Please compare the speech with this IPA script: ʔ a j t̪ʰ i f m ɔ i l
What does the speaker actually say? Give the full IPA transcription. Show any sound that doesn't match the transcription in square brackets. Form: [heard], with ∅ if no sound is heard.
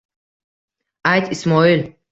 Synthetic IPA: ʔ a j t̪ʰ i [s] m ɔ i l